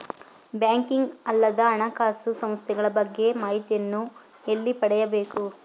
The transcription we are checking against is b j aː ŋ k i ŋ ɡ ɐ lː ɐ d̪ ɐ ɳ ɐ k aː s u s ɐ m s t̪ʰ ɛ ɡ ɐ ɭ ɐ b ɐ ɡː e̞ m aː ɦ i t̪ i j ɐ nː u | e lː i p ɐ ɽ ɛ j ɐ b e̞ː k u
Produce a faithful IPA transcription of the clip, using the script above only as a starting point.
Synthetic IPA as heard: b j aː ŋ k i ŋ ɡ ɐ lː ɐ d̪ ɐː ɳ ɐ k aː s u s ɐ m s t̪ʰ ɛ ɡ ɐ ɭ ɐ b ɐ ɡː e̞ m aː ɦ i t̪ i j ɐ nː u | e lː i p ɐ ɽ ɛ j ɐ b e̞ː k u